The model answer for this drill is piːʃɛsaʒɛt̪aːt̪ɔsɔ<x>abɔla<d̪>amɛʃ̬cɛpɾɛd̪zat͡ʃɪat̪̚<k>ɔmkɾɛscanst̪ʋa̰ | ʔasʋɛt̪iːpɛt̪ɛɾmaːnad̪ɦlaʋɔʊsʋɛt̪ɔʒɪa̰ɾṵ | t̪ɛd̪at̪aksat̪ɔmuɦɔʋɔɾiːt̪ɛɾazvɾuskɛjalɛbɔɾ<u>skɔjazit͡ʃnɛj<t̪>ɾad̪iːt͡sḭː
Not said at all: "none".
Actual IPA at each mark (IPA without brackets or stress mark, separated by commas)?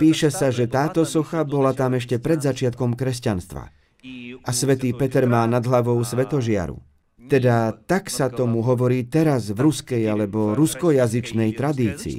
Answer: x, t̪, k, u, t̪